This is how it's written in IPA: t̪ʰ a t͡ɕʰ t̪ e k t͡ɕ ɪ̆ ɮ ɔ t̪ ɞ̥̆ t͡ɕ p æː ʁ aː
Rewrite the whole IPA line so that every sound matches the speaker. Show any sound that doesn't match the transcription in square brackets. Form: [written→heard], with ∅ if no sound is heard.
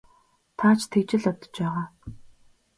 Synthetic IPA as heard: t̪ʰ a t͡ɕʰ [t̪→t̪ʰ] e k t͡ɕ ɪ̆ ɮ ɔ t̪ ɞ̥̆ t͡ɕ p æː ʁ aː